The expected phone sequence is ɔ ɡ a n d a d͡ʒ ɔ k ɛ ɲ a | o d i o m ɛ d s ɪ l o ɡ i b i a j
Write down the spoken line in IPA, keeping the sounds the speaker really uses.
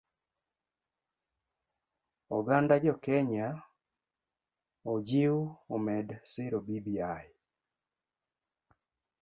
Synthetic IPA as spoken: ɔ ɡ a n d a d͡ʒ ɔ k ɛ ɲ a | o d͡ʒ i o m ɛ d s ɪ ɾ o b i b i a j

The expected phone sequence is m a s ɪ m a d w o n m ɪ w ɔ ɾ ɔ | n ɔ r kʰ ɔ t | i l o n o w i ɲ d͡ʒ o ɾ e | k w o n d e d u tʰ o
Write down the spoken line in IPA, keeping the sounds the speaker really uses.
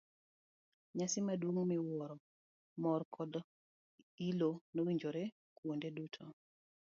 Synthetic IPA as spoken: ɲ a s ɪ m a d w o ŋ m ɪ w ɔ ɾ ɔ | m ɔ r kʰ ɔ d | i l o n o w i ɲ d͡ʒ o ɾ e | k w o n d e d u tʰ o

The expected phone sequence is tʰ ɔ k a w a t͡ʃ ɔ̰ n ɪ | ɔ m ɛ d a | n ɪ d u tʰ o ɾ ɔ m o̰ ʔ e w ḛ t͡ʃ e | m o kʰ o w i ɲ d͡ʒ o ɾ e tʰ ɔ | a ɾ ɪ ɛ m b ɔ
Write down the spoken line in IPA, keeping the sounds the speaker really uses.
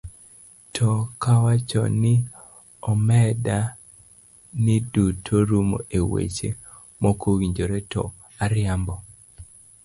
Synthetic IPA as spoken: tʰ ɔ k a w a t͡ʃ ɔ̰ n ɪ | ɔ m ɛ d a | n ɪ d u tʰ o ɾ u m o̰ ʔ e w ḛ t͡ʃ e | m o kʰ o w i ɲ d͡ʒ o ɾ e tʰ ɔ | a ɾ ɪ a m b ɔ

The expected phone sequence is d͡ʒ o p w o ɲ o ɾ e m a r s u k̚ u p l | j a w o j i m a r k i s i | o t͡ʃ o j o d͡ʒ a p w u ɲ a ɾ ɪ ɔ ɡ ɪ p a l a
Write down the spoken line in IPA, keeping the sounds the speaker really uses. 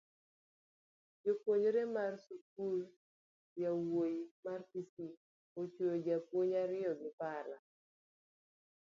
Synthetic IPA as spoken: d͡ʒ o p w o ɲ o ɾ e m a r s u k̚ u l | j a w o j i m a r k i s i | o t͡ʃ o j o d͡ʒ a p w o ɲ a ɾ ɪ ɔ ɡ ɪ p a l a

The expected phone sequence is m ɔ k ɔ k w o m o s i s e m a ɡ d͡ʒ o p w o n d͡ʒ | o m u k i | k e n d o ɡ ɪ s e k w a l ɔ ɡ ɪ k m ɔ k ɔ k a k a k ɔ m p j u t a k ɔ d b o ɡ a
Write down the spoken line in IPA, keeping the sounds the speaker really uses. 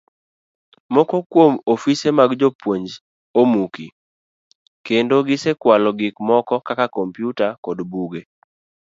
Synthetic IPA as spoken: m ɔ k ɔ k w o m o f i s e m a ɡ d͡ʒ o p w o ɲ d͡ʒ | o m u k i | k e n d o ɡ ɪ s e k w a l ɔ ɡ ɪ k m ɔ k ɔ k a k a k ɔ m p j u t a k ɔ d b u ɡ e

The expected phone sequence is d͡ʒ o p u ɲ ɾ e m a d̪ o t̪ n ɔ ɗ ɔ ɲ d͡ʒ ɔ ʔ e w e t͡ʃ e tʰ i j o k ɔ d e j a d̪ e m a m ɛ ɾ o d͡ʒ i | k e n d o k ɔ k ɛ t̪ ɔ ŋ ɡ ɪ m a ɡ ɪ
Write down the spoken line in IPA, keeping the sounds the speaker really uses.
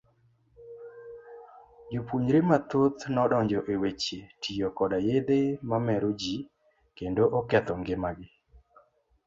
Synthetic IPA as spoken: d͡ʒ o p u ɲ ɾ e m a t̪ o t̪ n ɔ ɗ ɔ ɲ d͡ʒ ɔ ʔ e w e t͡ʃ e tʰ i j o k ɔ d a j e d̪ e m a m ɛ ɾ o d͡ʒ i | k e n d o ʔ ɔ k ɛ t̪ ɔ ŋ ɡ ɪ m a ɡ ɪ

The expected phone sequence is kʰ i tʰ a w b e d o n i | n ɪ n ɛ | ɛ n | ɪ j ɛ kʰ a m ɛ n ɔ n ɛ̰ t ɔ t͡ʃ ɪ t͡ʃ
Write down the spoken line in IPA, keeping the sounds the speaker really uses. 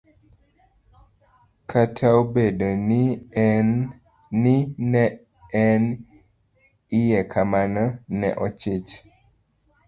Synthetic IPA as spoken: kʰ a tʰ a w b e d o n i | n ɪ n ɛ | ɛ n | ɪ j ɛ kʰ a m a n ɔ n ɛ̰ ʔ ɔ t͡ʃ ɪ t͡ʃ

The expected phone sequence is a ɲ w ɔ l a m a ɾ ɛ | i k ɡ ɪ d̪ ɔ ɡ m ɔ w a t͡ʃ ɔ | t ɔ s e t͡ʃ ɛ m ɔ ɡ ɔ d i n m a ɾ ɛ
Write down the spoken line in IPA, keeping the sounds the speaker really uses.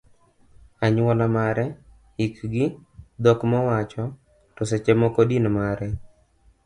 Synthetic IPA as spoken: a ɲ w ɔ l a m a ɾ ɛ | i k ɡ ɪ d̪ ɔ k m ɔ w a t͡ʃ ɔ | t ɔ s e t͡ʃ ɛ m ɔ k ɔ d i n m a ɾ ɛ

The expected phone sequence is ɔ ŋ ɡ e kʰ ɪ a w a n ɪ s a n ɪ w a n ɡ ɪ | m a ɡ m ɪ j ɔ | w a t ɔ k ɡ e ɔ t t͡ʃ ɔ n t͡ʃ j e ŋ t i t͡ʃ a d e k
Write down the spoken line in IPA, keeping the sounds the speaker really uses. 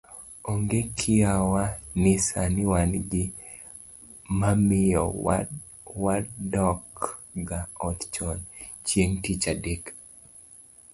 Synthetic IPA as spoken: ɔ ŋ ɡ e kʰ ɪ a w a n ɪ s a n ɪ w a n ɡ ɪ | m a m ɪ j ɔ | w a d ɔ k ɡ a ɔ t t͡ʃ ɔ n t͡ʃ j e ŋ t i t͡ʃ a d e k

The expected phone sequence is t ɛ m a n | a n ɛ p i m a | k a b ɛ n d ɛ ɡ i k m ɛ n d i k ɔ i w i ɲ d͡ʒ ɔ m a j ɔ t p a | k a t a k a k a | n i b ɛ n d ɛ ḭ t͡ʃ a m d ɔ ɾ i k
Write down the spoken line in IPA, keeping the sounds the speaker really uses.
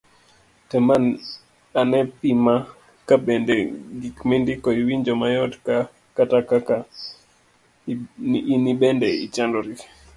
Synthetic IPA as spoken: t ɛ m a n | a n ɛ p i m a | k a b ɛ n d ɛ ɡ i k m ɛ n d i k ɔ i w i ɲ d͡ʒ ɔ m a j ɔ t k a | k a t a k a k a | n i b ɛ n d ɛ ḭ t͡ʃ a n d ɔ ɾ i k

